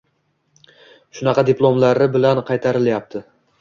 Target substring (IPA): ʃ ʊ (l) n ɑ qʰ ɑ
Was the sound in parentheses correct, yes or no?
no